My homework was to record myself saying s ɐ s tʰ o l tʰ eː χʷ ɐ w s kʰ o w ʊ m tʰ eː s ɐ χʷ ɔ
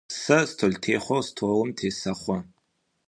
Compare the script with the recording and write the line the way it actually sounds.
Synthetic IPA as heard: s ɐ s tʰ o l tʰ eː χʷ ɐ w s tʰ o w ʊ m tʰ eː s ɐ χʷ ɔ